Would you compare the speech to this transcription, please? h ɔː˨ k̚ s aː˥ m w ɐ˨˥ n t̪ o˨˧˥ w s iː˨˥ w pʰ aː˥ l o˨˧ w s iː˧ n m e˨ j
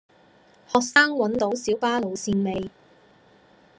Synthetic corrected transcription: h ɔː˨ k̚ s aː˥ ŋ w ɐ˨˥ n t̪ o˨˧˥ w s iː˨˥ w p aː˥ l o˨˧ w s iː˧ n m e˨ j

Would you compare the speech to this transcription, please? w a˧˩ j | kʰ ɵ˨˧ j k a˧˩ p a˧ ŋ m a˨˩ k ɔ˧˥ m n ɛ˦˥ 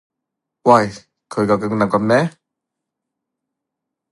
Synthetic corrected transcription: w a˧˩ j | kʰ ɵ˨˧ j k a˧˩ k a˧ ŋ n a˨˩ k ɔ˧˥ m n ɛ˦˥

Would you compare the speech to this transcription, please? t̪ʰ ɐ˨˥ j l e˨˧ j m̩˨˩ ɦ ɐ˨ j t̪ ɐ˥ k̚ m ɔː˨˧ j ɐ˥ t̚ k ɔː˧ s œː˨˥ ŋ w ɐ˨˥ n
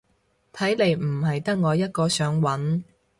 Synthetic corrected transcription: t̪ʰ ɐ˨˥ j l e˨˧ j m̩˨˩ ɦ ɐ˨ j t̪ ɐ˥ k̚ ŋ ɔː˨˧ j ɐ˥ t̚ k ɔː˧ s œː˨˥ ŋ w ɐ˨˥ n

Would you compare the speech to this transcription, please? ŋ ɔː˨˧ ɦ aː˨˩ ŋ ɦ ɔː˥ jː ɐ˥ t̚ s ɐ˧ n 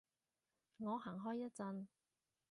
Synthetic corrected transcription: ŋ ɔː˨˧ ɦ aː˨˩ ŋ ɦ ɔː˥ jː ɐ˥ t̚ t͡s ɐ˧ n

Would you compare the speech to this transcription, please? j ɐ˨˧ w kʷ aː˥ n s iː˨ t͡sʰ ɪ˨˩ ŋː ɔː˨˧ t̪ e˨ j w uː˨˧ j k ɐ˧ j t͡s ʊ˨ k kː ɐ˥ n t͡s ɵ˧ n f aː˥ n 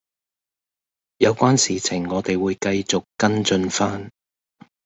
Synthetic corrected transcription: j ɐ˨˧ w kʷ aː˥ n s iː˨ t͡sʰ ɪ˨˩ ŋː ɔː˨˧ t̪ e˨ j w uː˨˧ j k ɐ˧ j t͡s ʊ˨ k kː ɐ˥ n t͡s ɵ˧ n f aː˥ n

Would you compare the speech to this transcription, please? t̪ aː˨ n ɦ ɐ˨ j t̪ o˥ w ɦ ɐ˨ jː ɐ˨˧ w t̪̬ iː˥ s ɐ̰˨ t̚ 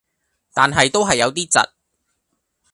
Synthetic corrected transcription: t̪ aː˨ n ɦ ɐ˨ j t̪ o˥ w ɦ ɐ˨ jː ɐ˨˧ w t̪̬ iː˥ t͡s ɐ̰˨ t̚

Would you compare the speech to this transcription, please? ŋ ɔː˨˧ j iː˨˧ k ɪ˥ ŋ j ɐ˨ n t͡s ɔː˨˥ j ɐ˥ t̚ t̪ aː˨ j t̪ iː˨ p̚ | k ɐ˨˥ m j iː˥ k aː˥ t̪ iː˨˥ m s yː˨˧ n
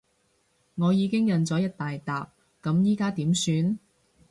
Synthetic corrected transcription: ŋ ɔː˨˧ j iː˨˧ k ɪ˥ ŋ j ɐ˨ n t͡s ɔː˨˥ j ɐ˥ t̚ t̪ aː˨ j t̪ aː˨ p̚ | k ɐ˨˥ m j iː˥ k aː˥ t̪ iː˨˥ m s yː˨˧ n

